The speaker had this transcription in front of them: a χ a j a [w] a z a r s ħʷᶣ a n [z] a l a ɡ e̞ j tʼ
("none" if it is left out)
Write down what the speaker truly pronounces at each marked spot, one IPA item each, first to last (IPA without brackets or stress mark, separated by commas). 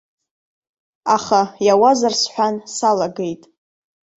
w, s